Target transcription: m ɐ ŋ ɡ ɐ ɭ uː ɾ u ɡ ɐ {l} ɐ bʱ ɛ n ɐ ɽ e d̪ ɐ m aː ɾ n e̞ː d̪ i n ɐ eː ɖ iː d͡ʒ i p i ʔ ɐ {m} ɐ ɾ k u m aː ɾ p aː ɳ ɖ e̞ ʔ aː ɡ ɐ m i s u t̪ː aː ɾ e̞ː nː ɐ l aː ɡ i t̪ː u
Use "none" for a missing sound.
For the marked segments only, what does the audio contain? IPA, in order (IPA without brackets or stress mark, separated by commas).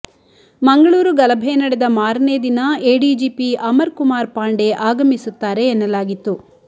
l, m